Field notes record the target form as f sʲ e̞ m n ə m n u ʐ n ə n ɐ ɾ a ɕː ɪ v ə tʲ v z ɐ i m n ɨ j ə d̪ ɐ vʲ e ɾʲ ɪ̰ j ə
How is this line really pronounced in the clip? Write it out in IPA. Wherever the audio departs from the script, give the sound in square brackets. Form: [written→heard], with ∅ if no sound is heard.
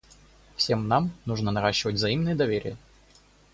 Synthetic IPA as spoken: f sʲ e̞ m n [ə→a] m n u ʐ n ə n ɐ ɾ a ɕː ɪ v ə tʲ v z ɐ i m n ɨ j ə d̪ ɐ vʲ e ɾʲ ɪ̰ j ə